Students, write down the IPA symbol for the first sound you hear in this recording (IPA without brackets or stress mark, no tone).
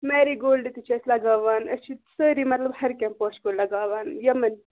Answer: m